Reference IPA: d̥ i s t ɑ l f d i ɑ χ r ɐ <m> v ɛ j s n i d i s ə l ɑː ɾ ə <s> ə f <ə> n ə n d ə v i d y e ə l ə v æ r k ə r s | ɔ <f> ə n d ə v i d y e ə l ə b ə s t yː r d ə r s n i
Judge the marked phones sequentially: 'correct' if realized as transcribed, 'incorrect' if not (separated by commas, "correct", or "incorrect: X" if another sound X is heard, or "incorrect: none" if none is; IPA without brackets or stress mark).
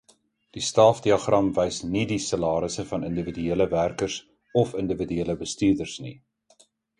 correct, correct, incorrect: ɐ, correct